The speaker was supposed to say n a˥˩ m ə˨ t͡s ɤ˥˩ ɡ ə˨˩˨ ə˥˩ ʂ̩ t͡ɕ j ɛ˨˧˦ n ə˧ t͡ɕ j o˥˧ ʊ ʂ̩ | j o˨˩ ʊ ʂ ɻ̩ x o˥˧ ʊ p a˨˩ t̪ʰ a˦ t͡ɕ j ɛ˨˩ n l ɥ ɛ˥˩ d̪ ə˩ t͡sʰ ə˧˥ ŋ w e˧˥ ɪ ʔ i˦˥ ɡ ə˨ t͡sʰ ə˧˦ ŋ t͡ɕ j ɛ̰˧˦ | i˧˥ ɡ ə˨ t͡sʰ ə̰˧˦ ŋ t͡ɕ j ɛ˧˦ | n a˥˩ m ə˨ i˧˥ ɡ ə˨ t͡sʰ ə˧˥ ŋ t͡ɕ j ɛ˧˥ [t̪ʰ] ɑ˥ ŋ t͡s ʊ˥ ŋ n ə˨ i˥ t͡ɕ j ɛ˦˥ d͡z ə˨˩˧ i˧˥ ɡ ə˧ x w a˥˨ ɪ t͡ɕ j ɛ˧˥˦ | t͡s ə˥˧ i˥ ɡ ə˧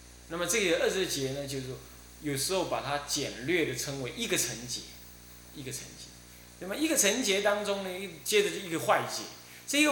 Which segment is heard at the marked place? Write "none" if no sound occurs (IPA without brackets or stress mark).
t̪